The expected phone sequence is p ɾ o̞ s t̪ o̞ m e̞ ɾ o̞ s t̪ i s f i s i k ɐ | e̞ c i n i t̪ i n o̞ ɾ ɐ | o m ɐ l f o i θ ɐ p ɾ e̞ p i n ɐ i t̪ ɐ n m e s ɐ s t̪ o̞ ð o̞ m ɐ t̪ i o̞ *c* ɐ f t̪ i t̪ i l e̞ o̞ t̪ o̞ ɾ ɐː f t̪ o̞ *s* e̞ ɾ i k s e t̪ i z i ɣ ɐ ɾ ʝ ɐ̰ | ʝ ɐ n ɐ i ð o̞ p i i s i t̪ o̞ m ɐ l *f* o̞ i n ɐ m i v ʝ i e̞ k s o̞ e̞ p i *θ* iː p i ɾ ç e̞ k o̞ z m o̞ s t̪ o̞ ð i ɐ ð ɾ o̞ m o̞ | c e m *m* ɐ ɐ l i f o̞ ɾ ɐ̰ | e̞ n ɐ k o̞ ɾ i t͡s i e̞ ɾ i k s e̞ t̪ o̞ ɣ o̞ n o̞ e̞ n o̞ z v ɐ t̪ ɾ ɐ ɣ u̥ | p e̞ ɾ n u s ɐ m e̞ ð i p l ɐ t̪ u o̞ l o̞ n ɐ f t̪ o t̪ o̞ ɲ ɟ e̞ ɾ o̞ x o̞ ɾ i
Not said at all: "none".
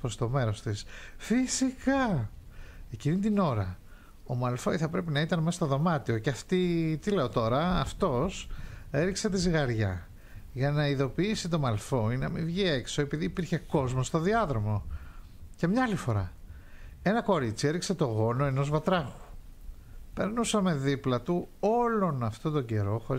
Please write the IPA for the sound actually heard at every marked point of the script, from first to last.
c, s, f, ð, ɲ

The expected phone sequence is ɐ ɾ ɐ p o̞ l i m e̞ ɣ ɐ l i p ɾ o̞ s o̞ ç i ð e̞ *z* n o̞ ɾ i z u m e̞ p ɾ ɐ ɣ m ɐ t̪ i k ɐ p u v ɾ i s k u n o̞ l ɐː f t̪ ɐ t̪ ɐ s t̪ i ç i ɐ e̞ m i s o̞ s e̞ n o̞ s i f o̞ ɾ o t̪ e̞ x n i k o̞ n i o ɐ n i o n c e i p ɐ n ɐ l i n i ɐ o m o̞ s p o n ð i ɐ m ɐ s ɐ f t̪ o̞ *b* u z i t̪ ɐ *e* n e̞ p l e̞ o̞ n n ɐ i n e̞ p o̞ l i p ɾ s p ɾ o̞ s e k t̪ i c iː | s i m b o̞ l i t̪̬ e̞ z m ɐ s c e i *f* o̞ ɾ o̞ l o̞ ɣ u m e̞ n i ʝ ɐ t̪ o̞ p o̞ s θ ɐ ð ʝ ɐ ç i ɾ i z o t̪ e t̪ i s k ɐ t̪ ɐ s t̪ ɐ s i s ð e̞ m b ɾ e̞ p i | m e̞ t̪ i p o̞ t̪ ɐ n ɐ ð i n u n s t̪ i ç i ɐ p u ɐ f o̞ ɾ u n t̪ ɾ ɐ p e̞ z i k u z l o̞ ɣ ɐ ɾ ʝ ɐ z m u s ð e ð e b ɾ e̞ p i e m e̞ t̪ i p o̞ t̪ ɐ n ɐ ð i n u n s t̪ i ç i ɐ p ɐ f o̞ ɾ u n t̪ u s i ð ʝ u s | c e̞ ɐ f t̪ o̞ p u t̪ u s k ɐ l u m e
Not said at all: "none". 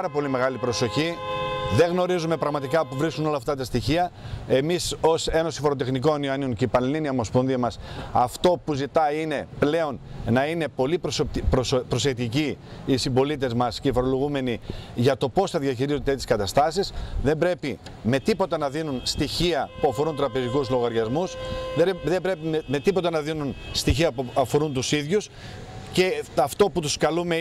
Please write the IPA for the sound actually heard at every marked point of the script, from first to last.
ɣ, p, i, f

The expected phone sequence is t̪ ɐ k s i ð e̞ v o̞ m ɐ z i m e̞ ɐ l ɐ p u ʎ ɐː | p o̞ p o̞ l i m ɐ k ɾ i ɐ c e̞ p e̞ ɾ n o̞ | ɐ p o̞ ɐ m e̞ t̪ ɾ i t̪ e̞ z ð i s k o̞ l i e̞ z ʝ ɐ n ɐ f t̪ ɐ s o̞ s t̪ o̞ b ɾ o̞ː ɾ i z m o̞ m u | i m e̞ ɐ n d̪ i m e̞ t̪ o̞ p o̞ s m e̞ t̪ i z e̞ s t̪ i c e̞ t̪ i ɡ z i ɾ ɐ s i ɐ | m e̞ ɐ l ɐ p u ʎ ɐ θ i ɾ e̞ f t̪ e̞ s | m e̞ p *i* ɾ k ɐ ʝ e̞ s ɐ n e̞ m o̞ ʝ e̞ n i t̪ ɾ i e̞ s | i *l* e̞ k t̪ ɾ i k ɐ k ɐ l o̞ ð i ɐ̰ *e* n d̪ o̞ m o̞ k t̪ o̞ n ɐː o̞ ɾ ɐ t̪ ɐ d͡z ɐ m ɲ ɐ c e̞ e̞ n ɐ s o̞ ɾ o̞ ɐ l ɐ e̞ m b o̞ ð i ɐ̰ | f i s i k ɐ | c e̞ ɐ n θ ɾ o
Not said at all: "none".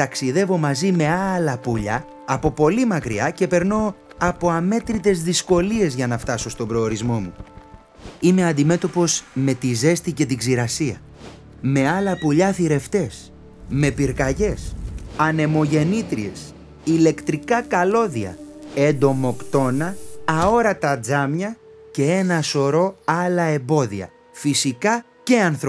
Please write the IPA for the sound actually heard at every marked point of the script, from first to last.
i, l, e

